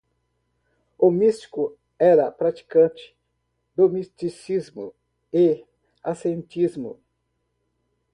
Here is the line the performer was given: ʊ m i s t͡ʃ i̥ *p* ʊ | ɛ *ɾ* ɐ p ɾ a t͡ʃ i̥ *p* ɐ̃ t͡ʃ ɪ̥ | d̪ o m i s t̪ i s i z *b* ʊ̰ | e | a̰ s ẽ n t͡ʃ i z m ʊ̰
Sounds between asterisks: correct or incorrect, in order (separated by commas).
incorrect, correct, incorrect, incorrect